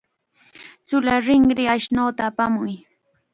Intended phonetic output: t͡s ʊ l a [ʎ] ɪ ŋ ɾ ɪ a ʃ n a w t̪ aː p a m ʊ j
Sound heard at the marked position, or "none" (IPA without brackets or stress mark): ɾ